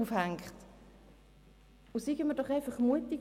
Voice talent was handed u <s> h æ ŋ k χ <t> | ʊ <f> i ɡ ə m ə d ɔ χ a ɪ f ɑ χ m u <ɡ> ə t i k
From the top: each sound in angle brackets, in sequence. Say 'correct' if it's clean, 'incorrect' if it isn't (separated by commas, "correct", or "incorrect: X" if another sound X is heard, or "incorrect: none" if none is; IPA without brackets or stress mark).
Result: incorrect: f, correct, incorrect: s, incorrect: none